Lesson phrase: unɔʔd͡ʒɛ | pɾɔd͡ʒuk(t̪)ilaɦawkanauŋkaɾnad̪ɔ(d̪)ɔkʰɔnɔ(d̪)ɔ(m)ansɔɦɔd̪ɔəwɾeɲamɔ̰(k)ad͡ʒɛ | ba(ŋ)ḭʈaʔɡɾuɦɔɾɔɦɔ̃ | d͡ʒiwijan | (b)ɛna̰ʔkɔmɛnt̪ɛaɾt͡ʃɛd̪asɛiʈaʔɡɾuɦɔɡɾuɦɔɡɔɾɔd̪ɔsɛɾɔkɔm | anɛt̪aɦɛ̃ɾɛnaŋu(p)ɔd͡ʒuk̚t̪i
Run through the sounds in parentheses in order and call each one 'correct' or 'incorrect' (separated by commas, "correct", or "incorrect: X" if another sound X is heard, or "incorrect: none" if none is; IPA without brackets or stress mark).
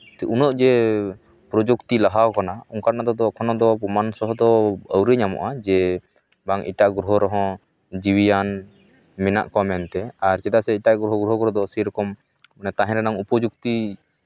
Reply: correct, correct, correct, correct, incorrect: ʔ, correct, incorrect: m, correct